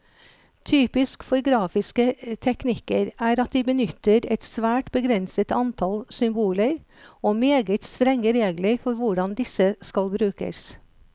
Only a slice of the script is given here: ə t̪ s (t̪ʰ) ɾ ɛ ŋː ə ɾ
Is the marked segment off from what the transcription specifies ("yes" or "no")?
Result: yes